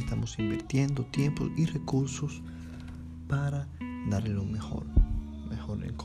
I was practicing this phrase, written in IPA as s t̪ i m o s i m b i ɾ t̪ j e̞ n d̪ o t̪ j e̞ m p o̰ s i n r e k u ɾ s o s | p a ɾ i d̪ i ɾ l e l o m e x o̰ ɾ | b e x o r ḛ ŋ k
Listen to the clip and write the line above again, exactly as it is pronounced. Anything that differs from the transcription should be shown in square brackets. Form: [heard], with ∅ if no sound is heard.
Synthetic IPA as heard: s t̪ [a] m o s i m b i ɾ t̪ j e̞ n d̪ o t̪ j e̞ m p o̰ s i [∅] r e k u ɾ s o s | p a ɾ [a] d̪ [a] ɾ l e l o m e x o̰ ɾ | [m] e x o [ɾ] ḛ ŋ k